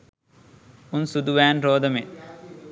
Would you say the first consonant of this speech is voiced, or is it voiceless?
voiced